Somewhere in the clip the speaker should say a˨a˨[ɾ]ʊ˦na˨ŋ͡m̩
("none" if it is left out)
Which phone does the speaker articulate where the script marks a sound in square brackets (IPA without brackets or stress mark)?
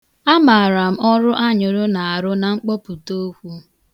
ɾ